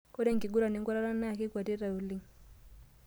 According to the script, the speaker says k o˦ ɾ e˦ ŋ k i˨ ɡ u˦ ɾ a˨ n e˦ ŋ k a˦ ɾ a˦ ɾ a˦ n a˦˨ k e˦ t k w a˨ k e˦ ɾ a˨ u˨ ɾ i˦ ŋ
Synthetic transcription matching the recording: k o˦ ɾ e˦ ŋ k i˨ ɡ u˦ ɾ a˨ n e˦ ŋ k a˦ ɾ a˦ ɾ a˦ n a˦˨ k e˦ k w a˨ t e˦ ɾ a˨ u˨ l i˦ ŋ